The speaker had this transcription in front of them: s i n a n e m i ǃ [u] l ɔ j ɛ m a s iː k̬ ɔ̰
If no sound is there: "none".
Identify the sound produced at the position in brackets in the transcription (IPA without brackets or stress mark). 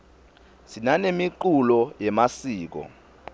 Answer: u